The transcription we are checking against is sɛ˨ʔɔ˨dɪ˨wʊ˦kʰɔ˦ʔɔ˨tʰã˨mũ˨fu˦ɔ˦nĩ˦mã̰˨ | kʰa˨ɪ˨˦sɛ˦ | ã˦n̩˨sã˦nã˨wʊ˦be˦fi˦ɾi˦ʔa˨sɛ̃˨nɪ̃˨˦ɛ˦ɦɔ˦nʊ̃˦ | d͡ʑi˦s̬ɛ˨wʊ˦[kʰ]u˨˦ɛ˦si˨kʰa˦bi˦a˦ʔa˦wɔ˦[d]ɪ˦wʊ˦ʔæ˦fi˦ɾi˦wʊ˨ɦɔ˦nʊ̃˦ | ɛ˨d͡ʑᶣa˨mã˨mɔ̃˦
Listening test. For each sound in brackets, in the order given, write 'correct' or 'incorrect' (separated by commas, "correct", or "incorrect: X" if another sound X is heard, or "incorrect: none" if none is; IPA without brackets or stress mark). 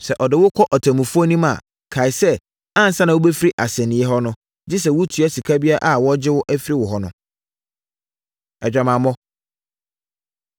incorrect: tʰ, incorrect: d͡ʑ